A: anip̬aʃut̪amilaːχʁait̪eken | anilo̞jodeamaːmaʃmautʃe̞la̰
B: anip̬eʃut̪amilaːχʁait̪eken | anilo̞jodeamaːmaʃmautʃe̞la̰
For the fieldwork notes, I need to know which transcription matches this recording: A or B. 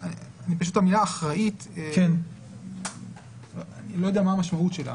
A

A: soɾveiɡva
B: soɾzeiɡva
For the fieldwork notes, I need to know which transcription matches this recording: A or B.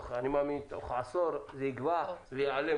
B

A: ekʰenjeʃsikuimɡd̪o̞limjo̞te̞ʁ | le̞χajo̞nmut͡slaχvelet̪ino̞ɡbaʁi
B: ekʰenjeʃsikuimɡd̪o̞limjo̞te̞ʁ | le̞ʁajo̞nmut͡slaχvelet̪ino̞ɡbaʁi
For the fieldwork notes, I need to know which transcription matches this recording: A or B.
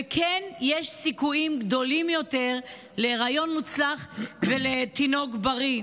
B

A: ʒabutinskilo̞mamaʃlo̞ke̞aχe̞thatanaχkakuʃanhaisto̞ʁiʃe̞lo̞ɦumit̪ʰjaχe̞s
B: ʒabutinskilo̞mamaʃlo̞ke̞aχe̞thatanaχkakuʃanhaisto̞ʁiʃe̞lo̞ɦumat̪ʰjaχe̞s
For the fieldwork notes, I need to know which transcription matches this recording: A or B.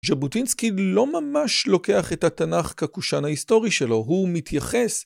A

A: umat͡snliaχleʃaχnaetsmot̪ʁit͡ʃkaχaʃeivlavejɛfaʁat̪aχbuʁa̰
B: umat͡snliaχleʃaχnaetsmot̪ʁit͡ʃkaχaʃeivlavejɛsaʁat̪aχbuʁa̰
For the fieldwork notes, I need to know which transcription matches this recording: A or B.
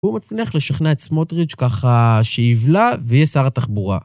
B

